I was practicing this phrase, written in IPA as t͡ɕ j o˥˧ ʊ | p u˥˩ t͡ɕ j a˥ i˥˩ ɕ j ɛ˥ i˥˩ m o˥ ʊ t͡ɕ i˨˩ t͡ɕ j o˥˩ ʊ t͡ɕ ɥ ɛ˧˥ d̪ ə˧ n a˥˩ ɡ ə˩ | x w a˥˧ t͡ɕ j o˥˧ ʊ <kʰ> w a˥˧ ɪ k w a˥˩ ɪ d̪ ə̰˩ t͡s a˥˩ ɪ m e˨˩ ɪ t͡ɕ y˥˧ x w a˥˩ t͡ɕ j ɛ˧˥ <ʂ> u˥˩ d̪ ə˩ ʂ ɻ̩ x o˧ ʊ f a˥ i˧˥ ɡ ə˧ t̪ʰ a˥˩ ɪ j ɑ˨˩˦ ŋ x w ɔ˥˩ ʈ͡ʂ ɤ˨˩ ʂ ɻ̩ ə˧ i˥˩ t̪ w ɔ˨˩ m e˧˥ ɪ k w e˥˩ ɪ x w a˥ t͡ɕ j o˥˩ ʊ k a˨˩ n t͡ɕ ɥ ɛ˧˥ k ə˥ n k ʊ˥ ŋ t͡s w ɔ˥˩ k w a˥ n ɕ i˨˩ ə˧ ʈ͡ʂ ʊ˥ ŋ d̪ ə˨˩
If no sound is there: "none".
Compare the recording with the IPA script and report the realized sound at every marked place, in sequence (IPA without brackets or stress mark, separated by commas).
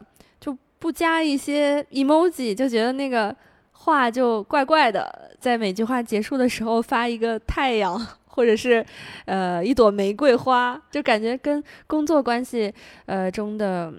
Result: k, ʂ